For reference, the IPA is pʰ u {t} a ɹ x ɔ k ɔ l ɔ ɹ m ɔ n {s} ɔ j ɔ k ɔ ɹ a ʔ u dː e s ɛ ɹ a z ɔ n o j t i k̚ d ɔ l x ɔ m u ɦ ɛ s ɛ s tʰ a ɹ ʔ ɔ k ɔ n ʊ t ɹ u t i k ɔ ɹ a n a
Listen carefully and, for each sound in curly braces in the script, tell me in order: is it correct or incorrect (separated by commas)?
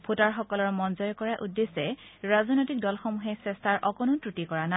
correct, incorrect